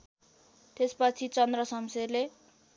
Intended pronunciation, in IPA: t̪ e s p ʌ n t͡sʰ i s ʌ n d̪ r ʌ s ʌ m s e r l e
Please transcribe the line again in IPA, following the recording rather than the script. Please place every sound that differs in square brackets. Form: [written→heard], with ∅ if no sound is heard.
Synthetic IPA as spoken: t̪ e s p ʌ [n→∅] t͡sʰ i [s→t͡s] ʌ n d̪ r ʌ s ʌ m s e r l e